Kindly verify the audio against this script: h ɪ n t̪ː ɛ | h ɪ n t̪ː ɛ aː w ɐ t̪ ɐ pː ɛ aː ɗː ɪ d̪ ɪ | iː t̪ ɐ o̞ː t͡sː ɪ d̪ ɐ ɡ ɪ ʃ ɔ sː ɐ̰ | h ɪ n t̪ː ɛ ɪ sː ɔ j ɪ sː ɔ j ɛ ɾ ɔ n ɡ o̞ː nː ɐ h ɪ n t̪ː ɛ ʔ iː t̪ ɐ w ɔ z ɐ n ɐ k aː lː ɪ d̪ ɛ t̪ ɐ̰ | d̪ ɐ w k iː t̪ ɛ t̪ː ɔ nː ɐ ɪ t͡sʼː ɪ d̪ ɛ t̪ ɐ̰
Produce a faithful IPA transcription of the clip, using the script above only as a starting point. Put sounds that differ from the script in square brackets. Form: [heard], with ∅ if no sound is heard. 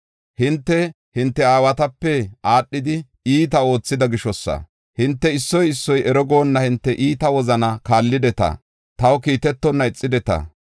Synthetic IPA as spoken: h ɪ n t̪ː ɛ | h ɪ n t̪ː ɛ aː w ɐ t̪ ɐ pː ɛ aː ɗː ɪ d̪ ɪ | iː t̪ ɐ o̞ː t͡sː ɪ d̪ ɐ ɡ ɪ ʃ ɔ sː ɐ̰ | h ɪ n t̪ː ɛ ɪ sː ɔ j ɪ sː ɔ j ɛ ɾ ɔ [∅] ɡ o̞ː nː ɐ h ɪ n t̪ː ɛ ʔ iː t̪ ɐ w ɔ z ɐ n ɐ k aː lː ɪ d̪ ɛ t̪ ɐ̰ | [t̪] ɐ w k iː t̪ ɛ t̪ː ɔ nː ɐ ɪ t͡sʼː ɪ d̪ ɛ t̪ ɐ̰